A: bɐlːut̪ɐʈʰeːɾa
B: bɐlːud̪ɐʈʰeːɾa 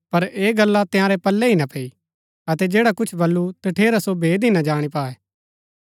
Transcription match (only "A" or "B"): A